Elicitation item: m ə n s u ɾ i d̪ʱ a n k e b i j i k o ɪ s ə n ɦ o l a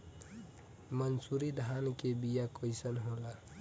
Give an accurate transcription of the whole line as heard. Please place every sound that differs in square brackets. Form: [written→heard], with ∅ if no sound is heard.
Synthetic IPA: m ə n s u ɾ i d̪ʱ a n k e b i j [i→a] k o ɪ s ə n ɦ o l a